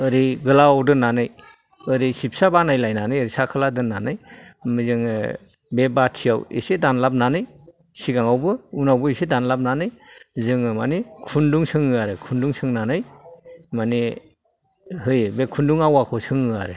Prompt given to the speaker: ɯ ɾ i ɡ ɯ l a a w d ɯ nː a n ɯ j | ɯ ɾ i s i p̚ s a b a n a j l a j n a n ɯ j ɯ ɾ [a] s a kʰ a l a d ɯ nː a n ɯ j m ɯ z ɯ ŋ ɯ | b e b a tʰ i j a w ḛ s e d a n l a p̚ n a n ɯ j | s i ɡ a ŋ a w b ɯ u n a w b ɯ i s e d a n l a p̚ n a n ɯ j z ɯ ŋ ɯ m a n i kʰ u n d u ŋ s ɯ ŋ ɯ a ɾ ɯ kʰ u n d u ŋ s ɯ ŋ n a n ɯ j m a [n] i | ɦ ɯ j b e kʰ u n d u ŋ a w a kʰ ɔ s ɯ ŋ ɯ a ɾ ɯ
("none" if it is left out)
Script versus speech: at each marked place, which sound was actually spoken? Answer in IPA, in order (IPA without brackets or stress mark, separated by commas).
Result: i, n